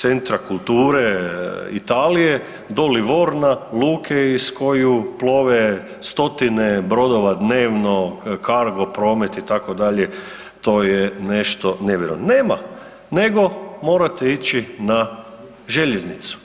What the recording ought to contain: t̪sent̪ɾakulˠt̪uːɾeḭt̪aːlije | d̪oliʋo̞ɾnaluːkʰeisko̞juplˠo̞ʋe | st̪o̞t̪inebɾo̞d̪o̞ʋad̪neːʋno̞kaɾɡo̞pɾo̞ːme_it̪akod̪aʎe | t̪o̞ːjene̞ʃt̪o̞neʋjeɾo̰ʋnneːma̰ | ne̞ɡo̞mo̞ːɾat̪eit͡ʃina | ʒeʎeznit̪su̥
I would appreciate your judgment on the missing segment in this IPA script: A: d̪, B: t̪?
B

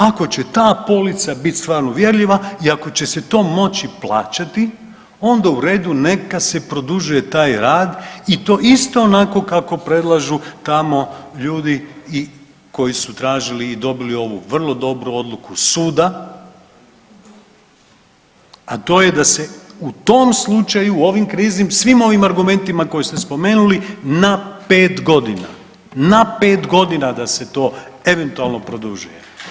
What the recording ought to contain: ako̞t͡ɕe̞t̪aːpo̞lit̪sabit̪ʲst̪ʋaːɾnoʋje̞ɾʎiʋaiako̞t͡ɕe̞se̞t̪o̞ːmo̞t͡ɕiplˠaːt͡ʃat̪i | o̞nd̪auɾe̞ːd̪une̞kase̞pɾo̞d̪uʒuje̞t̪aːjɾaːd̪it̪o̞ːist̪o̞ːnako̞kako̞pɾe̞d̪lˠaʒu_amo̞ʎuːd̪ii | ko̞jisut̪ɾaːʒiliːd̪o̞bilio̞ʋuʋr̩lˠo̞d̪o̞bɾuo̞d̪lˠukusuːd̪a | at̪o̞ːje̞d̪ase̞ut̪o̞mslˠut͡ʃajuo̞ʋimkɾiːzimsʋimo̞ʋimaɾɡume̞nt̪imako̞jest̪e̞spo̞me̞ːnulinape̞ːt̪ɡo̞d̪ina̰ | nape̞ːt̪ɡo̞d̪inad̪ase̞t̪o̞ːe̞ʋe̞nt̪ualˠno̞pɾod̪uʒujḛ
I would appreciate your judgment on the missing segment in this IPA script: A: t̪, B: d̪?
A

